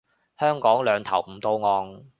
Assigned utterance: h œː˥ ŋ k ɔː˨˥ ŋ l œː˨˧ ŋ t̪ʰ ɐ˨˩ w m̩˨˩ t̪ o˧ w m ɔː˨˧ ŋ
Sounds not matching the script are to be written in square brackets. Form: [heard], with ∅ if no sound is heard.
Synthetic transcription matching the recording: h œː˥ ŋ k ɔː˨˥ ŋ l œː˨˧ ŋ t̪ʰ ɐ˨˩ w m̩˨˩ t̪ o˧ w [ŋ] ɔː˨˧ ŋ